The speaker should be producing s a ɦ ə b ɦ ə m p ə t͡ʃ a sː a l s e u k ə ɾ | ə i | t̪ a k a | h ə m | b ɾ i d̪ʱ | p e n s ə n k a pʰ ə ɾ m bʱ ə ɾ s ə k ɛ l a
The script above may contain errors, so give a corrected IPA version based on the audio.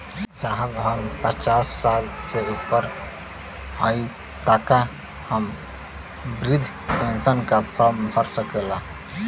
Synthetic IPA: s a ɦ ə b ɦ ə m p ə t͡ʃ a sː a l s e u p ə ɾ | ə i | t̪ a k a | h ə m | b ɾ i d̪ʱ | p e n s ə n k a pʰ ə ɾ m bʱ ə ɾ s ə k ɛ l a